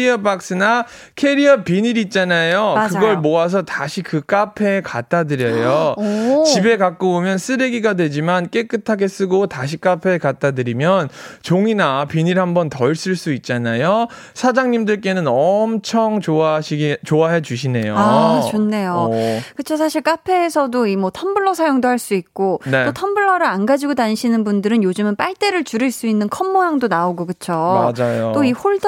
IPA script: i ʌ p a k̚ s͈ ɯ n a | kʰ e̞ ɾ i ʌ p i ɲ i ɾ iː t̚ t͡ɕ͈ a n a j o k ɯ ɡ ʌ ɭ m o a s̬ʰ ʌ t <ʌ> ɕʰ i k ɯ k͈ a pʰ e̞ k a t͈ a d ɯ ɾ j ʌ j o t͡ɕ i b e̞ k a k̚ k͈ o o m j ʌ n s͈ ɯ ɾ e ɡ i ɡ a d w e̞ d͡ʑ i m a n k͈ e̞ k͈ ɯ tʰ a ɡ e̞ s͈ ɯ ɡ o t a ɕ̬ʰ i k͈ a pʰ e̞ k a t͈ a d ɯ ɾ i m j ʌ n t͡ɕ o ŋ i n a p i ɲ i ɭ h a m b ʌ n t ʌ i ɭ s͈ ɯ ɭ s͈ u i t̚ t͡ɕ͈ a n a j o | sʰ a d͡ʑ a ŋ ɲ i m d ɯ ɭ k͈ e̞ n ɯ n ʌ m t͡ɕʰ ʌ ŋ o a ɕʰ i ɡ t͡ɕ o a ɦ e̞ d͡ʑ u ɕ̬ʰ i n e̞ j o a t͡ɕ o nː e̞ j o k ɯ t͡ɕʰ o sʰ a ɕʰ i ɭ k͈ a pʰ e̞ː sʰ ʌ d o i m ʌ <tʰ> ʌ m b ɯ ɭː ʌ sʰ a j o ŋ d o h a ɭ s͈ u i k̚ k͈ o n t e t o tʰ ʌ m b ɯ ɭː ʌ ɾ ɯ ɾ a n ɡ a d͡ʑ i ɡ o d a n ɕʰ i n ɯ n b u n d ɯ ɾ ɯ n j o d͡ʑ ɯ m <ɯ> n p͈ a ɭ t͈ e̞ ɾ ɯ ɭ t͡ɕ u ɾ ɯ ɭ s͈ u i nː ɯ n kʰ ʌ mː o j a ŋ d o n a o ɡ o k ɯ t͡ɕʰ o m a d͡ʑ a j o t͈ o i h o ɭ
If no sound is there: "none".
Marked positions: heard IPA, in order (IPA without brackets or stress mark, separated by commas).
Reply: a, tʰ, ɯ